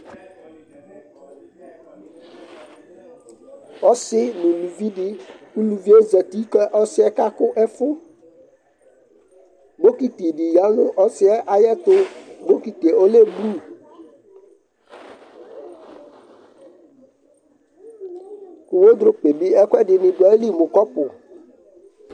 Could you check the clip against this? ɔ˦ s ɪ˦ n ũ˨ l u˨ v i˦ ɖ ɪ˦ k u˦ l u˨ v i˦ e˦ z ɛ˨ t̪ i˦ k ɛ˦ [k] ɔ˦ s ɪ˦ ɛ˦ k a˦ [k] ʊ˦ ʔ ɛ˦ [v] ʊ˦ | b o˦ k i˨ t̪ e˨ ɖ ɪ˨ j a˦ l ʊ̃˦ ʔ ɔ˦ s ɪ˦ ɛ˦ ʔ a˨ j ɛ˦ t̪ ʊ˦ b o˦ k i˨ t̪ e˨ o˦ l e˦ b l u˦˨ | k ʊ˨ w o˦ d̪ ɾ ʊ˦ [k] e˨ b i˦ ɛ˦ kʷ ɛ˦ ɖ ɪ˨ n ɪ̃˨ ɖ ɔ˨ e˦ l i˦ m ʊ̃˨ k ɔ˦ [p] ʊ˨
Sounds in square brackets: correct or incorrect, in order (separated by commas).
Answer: incorrect, correct, incorrect, incorrect, correct